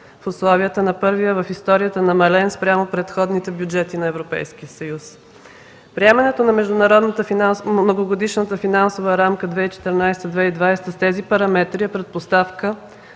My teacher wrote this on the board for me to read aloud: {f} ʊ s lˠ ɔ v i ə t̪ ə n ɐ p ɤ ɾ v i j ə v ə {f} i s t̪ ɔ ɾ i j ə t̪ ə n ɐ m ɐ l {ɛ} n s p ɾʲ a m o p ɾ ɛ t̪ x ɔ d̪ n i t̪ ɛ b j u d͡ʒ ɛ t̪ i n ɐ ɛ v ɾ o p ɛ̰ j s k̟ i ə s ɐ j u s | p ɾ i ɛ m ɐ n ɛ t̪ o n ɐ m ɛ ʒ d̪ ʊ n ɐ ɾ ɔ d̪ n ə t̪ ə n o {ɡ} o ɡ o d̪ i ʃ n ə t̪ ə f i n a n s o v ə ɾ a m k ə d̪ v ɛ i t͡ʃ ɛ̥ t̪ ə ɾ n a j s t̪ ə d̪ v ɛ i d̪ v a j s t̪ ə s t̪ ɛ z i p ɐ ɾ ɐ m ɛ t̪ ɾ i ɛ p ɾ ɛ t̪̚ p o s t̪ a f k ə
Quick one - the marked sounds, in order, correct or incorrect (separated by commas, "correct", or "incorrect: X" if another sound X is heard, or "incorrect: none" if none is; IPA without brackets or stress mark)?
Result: correct, correct, correct, correct